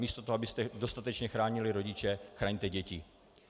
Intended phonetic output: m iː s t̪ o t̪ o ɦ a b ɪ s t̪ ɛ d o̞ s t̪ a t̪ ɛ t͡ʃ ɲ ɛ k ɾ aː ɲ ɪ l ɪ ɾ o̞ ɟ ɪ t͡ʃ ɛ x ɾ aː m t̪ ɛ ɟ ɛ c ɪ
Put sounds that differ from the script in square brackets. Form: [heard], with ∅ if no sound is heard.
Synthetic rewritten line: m iː s t̪ o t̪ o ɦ a b ɪ s t̪ ɛ d o̞ s t̪ a t̪ ɛ t͡ʃ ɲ ɛ [x] ɾ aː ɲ ɪ l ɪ ɾ o̞ ɟ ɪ t͡ʃ ɛ x ɾ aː [ɲ] t̪ ɛ ɟ ɛ c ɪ